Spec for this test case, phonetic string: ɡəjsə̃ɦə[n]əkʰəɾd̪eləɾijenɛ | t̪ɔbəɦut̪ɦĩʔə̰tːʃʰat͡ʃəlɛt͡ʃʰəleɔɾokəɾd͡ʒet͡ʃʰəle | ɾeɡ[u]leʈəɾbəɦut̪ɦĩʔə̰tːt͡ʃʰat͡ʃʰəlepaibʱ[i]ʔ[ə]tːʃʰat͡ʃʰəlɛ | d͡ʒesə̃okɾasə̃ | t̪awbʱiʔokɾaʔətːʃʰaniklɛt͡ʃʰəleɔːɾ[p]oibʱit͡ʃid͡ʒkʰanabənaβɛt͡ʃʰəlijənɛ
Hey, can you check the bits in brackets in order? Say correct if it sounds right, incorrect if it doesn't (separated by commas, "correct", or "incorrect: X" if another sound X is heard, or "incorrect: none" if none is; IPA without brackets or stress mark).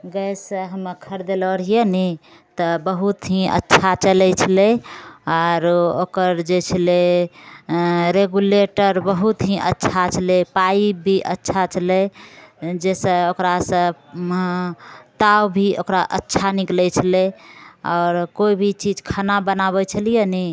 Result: incorrect: m, correct, correct, correct, incorrect: k